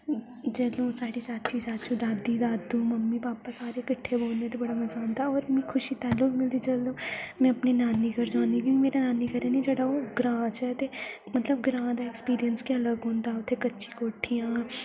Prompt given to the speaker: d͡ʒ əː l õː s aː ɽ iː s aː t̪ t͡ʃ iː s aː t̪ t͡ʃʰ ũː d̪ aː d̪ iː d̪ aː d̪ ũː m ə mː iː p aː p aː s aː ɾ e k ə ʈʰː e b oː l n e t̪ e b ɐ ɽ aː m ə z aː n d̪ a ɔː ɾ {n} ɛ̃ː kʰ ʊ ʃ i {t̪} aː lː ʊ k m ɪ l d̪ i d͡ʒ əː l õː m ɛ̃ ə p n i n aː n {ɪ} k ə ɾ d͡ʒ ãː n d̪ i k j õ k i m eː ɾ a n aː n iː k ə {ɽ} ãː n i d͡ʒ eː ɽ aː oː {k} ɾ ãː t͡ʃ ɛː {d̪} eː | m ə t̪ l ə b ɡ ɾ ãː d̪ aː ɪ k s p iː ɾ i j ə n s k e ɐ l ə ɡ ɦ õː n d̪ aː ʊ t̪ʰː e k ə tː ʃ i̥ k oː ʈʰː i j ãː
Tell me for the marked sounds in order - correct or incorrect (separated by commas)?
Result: incorrect, correct, incorrect, incorrect, incorrect, incorrect